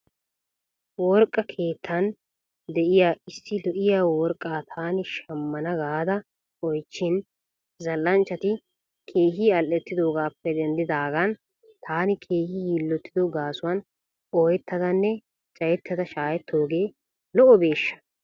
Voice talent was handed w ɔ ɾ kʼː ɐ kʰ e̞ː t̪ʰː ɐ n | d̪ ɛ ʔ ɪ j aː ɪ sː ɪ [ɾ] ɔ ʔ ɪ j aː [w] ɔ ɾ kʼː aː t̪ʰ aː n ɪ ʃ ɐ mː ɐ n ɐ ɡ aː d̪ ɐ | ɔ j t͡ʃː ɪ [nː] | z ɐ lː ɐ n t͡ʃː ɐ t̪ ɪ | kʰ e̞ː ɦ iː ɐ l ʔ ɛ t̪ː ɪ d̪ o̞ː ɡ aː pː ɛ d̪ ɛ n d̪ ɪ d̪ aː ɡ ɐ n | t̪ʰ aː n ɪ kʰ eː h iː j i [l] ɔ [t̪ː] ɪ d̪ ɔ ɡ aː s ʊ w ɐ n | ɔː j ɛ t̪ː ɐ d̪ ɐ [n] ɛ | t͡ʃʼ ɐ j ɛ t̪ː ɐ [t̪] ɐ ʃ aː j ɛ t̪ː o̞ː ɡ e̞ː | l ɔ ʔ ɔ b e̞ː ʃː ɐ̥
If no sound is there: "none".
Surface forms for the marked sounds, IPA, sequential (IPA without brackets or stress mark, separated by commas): l, w, n, lː, t̪ː, nː, d̪